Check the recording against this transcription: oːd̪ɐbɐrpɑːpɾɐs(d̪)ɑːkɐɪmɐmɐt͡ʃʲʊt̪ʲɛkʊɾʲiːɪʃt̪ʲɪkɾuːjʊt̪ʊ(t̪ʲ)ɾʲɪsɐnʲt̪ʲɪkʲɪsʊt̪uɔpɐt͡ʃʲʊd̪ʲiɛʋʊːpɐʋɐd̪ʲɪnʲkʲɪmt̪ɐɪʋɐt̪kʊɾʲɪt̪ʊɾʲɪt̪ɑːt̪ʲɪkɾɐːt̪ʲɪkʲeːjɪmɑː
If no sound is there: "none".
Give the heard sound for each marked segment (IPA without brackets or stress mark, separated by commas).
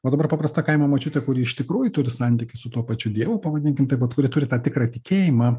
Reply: t̪, none